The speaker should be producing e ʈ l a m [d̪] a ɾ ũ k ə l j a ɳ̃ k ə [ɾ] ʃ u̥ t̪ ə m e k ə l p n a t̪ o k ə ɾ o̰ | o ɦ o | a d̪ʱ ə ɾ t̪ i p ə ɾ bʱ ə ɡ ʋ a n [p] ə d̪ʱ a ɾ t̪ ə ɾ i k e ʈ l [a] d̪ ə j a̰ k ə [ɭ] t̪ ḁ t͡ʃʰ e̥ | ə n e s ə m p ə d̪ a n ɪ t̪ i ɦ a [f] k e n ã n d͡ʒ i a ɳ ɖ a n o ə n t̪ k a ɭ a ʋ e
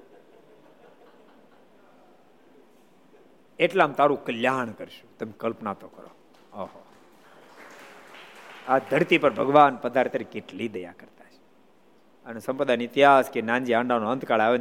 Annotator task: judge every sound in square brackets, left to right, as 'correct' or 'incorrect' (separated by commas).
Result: incorrect, correct, correct, incorrect, incorrect, incorrect